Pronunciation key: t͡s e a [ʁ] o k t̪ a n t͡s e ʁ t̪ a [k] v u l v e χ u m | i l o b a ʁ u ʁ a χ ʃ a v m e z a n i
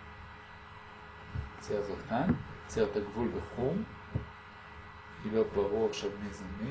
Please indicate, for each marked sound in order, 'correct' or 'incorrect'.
incorrect: z, incorrect: ɡ

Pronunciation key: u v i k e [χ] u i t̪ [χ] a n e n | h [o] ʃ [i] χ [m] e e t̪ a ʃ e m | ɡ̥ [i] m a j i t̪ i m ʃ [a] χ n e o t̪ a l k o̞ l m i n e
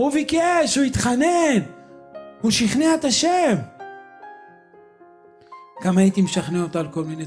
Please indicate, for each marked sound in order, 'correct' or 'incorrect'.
incorrect: ʃ, correct, incorrect: u, correct, incorrect: n, incorrect: a, correct

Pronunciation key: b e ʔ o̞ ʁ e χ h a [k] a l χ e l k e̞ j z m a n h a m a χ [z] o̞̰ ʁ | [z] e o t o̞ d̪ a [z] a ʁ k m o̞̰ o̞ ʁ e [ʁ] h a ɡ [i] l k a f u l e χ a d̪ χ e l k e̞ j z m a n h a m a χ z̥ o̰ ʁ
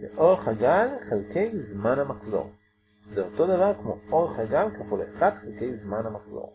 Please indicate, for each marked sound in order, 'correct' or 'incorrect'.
incorrect: ɡ, correct, correct, incorrect: v, incorrect: χ, incorrect: a

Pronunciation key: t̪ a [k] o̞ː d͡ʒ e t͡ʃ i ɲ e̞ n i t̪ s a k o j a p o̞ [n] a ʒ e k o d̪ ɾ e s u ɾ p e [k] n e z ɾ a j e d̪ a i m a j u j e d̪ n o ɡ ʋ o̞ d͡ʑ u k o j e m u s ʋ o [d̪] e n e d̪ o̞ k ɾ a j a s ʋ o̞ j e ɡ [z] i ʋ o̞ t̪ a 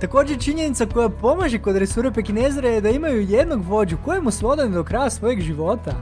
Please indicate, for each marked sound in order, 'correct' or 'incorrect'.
correct, incorrect: m, correct, correct, incorrect: ʒ

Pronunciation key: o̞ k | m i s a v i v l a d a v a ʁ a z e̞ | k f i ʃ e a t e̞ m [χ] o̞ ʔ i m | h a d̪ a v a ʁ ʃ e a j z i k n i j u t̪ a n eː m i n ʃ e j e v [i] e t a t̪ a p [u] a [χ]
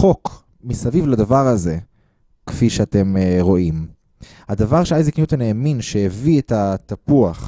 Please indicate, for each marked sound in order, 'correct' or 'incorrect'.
incorrect: ʁ, correct, correct, correct

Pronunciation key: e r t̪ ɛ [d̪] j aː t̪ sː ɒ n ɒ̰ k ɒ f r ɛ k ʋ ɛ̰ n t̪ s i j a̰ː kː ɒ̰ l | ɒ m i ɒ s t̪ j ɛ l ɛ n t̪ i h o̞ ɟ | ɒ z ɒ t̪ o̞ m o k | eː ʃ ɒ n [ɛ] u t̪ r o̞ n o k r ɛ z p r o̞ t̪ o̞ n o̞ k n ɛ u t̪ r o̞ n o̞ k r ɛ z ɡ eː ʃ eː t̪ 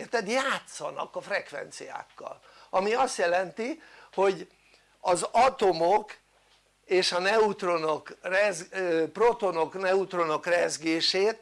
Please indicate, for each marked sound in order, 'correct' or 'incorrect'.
correct, correct

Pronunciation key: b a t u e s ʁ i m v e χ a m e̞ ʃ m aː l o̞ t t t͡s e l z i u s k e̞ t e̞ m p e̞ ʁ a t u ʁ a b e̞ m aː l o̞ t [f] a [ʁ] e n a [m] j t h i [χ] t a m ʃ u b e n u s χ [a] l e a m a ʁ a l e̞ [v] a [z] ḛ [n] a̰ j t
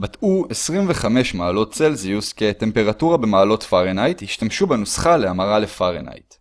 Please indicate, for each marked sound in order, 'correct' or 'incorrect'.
correct, correct, incorrect: none, incorrect: ʃ, correct, incorrect: f, incorrect: ʁ, correct

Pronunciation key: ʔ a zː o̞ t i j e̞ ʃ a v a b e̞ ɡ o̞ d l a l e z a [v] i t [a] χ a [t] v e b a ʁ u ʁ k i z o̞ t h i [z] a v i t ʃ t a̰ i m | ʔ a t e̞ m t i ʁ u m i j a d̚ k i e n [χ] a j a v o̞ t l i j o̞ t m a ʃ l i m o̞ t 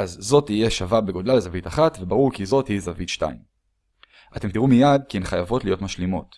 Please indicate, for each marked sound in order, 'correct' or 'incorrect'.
correct, correct, correct, correct, correct

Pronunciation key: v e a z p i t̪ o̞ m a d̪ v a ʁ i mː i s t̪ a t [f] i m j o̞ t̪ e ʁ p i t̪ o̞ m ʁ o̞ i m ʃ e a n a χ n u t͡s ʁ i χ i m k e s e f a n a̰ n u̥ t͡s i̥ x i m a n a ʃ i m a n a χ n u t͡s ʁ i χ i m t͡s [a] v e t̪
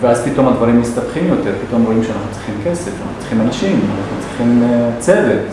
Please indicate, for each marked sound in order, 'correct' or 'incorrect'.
incorrect: χ, incorrect: e

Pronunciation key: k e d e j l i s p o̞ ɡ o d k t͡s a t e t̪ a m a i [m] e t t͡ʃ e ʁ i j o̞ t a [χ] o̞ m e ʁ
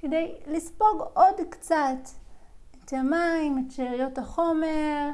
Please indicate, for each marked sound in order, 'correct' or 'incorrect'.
correct, correct

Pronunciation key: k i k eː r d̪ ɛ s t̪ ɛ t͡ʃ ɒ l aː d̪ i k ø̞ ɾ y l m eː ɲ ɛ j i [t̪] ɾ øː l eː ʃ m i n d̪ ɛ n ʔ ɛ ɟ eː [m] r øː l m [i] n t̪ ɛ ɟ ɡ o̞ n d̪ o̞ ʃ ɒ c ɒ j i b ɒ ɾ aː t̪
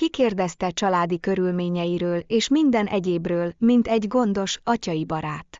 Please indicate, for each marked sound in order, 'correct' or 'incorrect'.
incorrect: none, incorrect: b, correct

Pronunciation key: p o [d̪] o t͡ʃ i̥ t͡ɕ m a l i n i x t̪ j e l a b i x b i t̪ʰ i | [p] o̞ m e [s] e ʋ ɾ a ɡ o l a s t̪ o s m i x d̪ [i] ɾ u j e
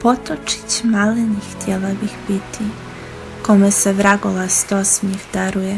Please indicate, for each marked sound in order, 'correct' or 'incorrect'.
incorrect: t̪, incorrect: k, correct, incorrect: a

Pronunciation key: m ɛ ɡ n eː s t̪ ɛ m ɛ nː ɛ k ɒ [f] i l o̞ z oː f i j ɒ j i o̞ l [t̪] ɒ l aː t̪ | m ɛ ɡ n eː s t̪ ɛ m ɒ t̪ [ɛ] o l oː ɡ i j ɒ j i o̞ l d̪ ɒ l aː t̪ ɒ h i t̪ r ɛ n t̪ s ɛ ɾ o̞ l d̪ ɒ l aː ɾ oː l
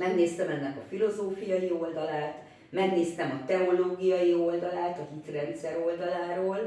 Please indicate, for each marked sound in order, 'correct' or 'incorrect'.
correct, incorrect: d̪, correct

